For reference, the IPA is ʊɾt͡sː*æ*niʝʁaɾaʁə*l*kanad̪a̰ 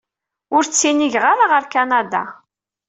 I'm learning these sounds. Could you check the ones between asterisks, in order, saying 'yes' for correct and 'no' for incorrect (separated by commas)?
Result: no, no